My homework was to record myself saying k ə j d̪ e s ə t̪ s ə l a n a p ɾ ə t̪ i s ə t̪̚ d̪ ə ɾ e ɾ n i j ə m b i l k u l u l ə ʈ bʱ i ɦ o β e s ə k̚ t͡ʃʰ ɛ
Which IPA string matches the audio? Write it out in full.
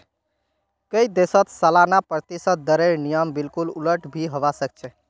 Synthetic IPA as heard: k ə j d̪ e s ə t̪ s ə l a n a p ɾ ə t̪ i s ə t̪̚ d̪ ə ɾ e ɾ n i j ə m b i l k u l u l ə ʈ bʱ i ɦ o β a s ə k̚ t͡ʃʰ ɛ